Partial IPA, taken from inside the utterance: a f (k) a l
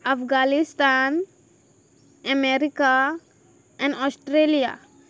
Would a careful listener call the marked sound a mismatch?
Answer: yes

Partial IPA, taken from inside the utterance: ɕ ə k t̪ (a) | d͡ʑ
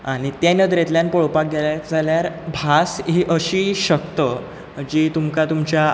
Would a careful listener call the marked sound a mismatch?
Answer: yes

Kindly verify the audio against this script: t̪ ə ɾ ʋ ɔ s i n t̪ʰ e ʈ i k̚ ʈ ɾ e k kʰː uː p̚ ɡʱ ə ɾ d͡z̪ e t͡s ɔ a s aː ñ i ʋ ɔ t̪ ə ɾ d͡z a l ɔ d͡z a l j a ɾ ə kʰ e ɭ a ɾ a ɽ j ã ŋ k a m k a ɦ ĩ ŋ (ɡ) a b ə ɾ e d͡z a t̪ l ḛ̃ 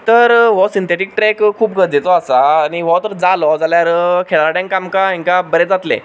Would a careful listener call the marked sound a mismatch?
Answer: yes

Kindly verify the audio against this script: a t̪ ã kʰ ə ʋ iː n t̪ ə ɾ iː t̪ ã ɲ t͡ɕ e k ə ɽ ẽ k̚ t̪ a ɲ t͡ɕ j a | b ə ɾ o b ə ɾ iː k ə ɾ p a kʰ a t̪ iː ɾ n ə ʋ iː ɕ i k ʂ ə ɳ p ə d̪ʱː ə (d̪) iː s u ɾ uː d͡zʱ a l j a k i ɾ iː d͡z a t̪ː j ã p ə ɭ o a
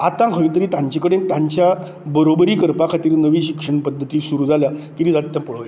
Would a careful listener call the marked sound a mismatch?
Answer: yes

